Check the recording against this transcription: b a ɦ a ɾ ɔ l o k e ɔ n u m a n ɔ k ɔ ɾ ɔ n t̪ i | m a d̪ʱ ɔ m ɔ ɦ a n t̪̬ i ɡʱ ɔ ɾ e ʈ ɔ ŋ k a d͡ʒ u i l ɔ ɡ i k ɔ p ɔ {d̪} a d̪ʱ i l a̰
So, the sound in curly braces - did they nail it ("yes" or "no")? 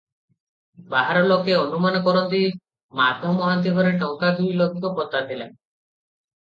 no